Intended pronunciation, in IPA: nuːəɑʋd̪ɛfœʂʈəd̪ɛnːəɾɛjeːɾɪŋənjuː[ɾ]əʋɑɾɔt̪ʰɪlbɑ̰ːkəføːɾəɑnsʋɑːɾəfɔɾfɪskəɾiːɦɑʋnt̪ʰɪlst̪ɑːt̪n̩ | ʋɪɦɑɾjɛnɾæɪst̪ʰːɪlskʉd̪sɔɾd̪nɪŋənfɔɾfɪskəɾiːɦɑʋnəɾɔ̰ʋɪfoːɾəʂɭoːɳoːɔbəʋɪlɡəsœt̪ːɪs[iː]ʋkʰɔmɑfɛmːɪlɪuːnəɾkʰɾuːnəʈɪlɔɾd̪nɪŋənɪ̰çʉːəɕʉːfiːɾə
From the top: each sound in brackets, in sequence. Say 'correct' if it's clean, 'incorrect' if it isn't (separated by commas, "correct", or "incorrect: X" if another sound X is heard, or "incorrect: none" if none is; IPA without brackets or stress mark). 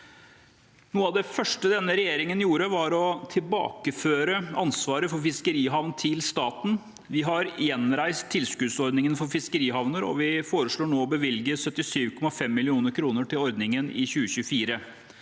correct, incorrect: yː